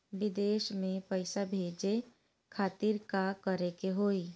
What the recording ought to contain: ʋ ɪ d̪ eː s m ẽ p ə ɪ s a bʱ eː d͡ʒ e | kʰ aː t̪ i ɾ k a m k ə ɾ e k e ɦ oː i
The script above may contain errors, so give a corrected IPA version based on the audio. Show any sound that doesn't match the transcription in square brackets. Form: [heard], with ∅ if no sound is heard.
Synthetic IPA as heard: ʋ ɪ d̪ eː [ʃ] m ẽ p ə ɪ s a bʱ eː d͡ʒ e | kʰ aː t̪ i ɾ k a [∅] k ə ɾ e k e ɦ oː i